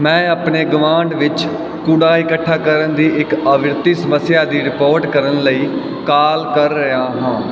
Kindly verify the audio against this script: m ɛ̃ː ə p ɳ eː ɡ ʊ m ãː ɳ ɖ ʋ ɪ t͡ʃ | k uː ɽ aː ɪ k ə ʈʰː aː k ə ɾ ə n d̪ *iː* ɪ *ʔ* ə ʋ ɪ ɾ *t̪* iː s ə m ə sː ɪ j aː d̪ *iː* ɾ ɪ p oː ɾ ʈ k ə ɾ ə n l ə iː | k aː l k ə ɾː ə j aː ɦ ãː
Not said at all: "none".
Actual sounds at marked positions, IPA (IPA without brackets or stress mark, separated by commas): iː, k, t̪, iː